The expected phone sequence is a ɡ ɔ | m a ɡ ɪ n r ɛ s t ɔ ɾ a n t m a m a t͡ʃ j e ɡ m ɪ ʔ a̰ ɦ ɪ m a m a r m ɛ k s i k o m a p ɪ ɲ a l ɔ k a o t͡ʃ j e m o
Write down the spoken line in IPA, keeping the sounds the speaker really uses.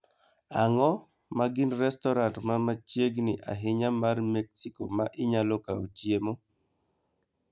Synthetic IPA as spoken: a ŋ ɔ | m a ɡ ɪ n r ɛ s t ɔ ɾ a n t m a m a t͡ʃ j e ɡ n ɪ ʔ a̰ ɦ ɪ ɲ a m a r m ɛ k s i k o m a ʔ ɪ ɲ a l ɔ k a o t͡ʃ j e m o

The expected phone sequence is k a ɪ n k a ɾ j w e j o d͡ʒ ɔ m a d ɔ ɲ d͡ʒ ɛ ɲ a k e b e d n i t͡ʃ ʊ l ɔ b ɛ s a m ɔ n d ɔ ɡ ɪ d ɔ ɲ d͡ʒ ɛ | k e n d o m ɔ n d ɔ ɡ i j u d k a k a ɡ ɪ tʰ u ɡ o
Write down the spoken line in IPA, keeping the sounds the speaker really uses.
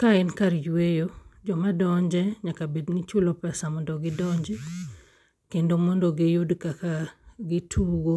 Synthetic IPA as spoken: k a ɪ n k a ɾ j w e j o d͡ʒ ɔ m a d ɔ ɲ d͡ʒ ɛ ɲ a k a b e d n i t͡ʃ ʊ l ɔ p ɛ s a m ɔ n d ɔ ɡ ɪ d ɔ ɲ d͡ʒ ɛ | k e n d o m ɔ n d ɔ ɡ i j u d k a k a ɡ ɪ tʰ u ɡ o

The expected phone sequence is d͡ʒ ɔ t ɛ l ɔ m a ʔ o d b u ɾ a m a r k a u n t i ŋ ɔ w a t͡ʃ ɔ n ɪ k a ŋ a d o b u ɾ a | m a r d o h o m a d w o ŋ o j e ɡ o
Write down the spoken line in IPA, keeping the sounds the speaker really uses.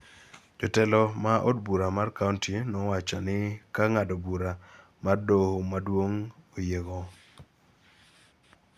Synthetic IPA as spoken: d͡ʒ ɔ t ɛ l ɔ m a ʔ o d b u ɾ a m a r k a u n t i n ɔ w a t͡ʃ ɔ n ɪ k a ŋ a d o b u ɾ a | m a r d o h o m a d w o ŋ o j e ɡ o

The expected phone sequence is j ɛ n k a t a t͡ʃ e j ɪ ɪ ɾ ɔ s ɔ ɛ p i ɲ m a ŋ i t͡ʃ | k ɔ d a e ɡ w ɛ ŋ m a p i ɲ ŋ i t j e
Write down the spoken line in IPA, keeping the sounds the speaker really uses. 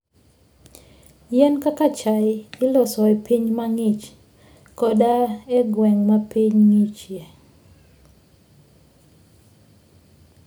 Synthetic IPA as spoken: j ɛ n k a k a t͡ʃ a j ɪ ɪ l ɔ s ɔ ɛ p i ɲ m a ŋ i t͡ʃ | k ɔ d a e ɡ w ɛ ŋ m a p i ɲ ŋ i t͡ʃ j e

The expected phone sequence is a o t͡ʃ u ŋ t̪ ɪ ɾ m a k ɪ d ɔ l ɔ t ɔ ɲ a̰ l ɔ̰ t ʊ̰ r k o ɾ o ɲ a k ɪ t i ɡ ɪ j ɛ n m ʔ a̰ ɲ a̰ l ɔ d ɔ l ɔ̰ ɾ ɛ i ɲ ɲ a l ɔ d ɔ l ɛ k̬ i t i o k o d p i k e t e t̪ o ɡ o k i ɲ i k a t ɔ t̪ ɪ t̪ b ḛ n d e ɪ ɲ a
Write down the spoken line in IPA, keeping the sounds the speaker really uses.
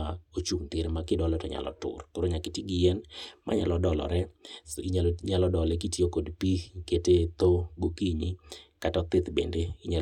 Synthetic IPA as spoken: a o t͡ʃ u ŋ t̪ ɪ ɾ m a k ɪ d ɔ l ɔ t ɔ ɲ a̰ l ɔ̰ t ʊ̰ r k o ɾ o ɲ a k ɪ t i ɡ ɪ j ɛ n m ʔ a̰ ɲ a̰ l ɔ d ɔ l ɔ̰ ɾ ɛ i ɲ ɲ a l ɔ d ɔ l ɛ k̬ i t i o k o d p i k e t e t̪ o ɡ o k i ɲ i k a t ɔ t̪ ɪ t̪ b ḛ n d e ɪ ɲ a

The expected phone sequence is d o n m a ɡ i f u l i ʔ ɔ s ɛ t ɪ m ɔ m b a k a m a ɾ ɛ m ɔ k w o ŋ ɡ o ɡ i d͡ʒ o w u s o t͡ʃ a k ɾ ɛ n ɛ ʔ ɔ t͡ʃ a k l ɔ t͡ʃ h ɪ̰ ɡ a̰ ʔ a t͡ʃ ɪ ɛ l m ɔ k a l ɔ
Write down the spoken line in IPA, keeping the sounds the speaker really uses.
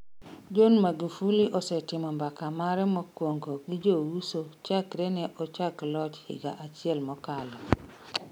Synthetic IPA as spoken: d͡ʒ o n m a ɡ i f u l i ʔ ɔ s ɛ t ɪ m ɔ m b a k a m a ɾ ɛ m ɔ k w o ŋ ɡ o ɡ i d͡ʒ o w u s o t͡ʃ a k ɾ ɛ n ɛ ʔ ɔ t͡ʃ a k l ɔ t͡ʃ h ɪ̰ ɡ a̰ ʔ a t͡ʃ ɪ ɛ l m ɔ k a l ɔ

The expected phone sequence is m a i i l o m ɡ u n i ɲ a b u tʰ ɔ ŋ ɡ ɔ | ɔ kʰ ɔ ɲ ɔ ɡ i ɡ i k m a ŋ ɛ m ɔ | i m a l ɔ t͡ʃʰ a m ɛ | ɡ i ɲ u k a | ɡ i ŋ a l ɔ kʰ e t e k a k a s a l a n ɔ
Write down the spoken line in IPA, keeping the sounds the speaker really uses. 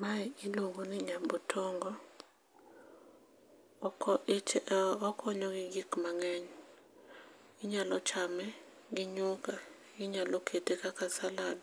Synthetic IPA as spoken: m a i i l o ŋ ɡ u n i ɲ a b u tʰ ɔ ŋ ɡ ɔ | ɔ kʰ ɔ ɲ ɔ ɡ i ɡ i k m a ŋ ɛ ɲ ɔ | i ɲ a l ɔ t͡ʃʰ a m ɛ | ɡ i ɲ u k a | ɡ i ɲ a l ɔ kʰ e t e k a k a s a l a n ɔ

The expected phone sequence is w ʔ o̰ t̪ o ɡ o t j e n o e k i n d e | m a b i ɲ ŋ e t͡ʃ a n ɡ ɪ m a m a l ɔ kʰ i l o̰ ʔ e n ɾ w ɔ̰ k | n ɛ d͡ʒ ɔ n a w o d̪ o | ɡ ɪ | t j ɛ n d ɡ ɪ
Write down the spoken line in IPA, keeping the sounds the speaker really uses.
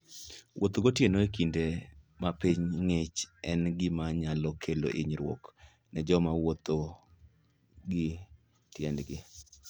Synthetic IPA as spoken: w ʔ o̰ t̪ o ɡ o t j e n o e k i n d e | m a p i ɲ ŋ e t͡ʃ ɛ n ɡ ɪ m a ɲ a l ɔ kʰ e l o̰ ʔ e ɲ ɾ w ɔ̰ k | n ɛ d͡ʒ ɔ m a w o t̪ o | ɡ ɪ | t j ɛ n d ɡ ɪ

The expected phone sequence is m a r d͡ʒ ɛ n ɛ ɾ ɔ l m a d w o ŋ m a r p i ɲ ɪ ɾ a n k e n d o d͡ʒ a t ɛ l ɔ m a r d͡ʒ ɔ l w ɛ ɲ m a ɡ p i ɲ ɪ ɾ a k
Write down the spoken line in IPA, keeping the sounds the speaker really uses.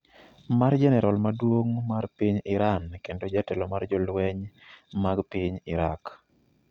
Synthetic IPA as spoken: m a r d͡ʒ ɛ n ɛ ɾ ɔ l m a d w o ŋ m a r p i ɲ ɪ ɾ a n k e n d o d͡ʒ a t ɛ l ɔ m a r d͡ʒ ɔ l w ɛ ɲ m a ɡ p i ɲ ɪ ɾ a k

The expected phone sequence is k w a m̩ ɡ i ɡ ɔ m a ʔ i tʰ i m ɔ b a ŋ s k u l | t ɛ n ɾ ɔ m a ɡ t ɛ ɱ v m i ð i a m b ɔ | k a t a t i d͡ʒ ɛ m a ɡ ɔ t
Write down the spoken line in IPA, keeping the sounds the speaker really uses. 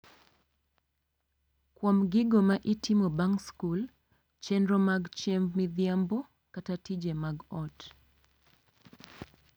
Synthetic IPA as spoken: k w a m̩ ɡ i ɡ ɔ m a ʔ i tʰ i m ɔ b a ŋ s k u l | t͡ʃ ɛ n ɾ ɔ m a ɡ t͡ʃ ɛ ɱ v m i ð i a m b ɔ | k a t a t i d͡ʒ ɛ m a ɡ ɔ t

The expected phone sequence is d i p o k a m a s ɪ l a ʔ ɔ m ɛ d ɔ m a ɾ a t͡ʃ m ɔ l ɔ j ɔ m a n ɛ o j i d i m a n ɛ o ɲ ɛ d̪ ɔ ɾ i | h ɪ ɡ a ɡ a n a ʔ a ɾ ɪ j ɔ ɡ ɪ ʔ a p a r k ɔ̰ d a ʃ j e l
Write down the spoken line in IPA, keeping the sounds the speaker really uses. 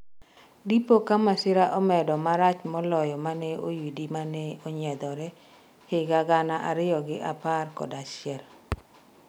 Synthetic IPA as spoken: d i p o k a m a s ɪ ɾ a ʔ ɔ m ɛ d ɔ m a ɾ a t͡ʃ m ɔ l ɔ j ɔ m a n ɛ o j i d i m a n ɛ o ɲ ɛ d̪ ɔ ɾ ɛ | h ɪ ɡ a ɡ a n a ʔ a ɾ ɪ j ɔ ɡ ɪ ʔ a p a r k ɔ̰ d a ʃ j ɛ l

